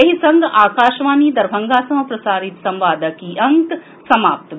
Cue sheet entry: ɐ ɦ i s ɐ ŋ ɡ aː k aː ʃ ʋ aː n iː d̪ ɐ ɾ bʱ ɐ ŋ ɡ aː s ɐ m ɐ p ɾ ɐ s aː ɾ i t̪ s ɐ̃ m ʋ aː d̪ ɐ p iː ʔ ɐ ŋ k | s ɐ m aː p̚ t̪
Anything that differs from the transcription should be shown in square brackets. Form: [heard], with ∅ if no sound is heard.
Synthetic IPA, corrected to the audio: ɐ ɦ i s ɐ ŋ ɡ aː k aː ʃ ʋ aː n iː d̪ ɐ ɾ bʱ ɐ ŋ ɡ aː s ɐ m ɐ p ɾ ɐ s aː ɾ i t̪ s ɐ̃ m ʋ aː d̪ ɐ [k] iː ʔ ɐ ŋ k | s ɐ m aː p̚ t̪